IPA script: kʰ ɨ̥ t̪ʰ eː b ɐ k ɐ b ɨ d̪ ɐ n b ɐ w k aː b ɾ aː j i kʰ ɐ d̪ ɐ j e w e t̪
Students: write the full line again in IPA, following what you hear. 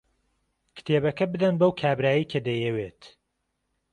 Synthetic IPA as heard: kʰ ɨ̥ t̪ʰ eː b ɐ k ɐ b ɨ d̪ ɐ n b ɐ w kʰ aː b ɾ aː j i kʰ ɐ d̪ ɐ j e w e t̪